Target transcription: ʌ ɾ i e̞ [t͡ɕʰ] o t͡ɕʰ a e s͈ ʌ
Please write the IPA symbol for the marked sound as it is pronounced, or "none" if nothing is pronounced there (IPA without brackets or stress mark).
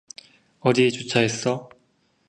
t͡ɕ